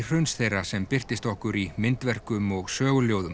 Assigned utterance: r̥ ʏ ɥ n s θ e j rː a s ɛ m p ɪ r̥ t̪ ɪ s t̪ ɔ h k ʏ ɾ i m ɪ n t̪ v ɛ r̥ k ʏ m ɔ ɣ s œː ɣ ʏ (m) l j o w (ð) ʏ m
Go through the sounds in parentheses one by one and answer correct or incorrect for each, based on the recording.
incorrect, correct

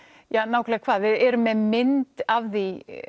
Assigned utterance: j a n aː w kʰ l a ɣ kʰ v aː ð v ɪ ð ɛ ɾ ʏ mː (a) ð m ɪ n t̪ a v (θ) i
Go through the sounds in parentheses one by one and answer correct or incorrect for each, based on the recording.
incorrect, incorrect

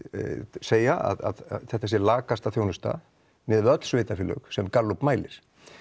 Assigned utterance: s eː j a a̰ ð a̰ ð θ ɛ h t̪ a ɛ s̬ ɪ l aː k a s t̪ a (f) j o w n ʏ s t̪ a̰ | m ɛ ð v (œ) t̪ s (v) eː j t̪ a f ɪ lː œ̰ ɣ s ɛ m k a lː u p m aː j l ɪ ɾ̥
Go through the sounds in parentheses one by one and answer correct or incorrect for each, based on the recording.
incorrect, correct, correct

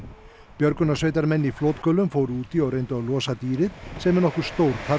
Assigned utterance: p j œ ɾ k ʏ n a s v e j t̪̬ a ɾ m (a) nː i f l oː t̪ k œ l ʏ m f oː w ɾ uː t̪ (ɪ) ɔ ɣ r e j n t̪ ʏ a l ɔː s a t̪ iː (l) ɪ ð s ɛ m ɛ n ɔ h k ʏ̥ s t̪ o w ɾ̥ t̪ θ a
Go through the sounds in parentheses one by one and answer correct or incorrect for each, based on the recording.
incorrect, incorrect, incorrect

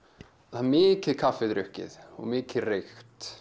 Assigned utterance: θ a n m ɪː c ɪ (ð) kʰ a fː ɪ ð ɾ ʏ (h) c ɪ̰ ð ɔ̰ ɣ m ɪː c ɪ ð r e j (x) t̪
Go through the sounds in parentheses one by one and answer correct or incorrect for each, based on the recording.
correct, correct, correct

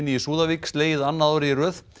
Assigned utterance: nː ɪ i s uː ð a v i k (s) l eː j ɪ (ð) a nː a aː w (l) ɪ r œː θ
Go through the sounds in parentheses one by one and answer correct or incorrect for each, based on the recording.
correct, correct, incorrect

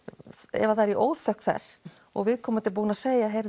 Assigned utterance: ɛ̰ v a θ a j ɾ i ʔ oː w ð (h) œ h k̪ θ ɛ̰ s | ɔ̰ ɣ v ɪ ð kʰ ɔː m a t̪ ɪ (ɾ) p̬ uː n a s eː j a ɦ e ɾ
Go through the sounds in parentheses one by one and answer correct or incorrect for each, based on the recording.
incorrect, incorrect

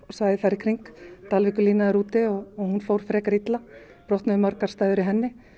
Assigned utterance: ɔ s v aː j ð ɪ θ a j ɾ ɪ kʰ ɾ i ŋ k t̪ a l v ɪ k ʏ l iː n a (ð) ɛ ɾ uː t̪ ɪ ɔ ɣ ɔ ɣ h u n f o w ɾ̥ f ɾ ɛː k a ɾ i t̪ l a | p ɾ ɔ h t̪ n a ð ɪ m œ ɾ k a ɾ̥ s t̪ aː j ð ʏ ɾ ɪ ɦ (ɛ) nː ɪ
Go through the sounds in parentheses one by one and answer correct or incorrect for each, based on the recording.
correct, correct

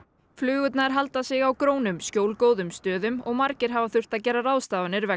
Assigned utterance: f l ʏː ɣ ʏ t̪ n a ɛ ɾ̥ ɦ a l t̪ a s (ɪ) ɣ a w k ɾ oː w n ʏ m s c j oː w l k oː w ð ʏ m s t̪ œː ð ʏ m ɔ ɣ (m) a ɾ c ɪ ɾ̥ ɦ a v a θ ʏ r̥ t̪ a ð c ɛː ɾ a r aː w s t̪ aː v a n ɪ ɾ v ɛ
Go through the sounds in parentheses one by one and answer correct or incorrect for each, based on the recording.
correct, correct

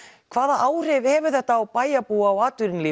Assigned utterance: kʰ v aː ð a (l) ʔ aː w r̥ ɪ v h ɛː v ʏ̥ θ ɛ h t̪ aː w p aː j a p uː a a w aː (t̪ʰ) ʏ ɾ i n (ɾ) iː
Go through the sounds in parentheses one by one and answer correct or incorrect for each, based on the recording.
incorrect, incorrect, incorrect

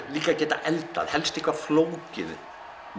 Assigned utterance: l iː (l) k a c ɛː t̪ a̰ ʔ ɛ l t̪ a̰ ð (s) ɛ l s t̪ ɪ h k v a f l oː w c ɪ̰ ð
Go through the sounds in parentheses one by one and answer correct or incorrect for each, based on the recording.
incorrect, incorrect

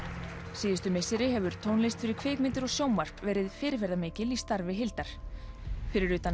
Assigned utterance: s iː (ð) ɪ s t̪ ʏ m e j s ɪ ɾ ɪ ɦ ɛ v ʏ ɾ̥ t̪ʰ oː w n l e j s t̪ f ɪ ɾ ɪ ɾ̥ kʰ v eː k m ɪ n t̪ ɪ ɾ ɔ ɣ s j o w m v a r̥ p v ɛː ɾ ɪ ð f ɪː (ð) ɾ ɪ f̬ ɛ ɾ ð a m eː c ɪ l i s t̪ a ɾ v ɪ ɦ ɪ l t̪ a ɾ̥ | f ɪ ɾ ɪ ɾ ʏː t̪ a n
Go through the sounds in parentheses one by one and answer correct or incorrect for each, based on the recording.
correct, incorrect

